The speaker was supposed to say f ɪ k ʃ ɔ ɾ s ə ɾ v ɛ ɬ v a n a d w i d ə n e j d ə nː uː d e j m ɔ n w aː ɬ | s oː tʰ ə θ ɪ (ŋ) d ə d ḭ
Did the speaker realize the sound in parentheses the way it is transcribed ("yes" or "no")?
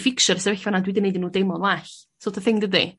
yes